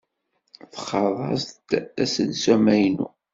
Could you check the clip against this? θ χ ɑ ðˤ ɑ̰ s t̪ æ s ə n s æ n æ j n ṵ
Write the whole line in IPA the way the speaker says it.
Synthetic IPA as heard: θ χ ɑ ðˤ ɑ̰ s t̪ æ s ə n s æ m æ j n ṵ